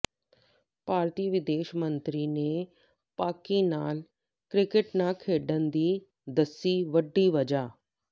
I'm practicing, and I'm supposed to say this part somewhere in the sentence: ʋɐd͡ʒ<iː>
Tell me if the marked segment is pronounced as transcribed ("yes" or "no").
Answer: no